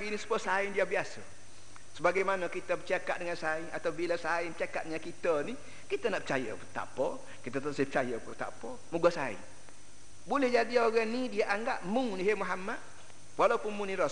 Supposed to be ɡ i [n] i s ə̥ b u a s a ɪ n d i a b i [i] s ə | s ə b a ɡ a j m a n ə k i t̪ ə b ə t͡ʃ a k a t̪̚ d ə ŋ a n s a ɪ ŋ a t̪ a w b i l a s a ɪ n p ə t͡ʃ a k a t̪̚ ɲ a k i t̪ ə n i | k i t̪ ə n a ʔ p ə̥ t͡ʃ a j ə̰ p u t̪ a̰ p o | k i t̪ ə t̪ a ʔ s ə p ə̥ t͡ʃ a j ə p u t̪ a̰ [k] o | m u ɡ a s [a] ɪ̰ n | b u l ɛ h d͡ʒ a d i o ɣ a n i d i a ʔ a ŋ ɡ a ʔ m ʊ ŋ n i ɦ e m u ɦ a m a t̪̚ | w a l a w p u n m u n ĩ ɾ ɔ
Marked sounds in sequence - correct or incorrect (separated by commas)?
correct, incorrect, incorrect, correct